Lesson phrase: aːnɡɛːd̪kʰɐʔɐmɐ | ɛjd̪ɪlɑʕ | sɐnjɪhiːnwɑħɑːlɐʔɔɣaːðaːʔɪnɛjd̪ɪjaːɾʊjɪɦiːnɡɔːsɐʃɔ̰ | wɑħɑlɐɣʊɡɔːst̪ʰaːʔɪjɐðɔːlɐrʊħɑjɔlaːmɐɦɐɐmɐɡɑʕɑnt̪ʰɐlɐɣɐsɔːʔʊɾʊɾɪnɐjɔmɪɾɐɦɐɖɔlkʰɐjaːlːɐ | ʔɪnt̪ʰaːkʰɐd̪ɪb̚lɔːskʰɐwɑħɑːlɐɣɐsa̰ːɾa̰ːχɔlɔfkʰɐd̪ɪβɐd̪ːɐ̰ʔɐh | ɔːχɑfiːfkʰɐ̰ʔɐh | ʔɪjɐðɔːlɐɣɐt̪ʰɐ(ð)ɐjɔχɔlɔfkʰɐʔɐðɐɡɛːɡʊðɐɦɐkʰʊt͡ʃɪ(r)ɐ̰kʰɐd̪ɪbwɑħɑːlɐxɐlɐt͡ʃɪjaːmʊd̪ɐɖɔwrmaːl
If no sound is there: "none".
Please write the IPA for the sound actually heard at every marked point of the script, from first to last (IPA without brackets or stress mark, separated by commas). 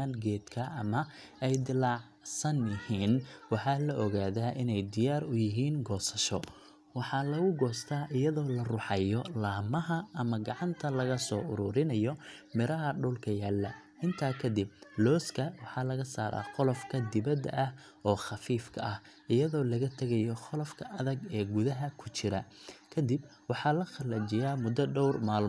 ɣ, ɾ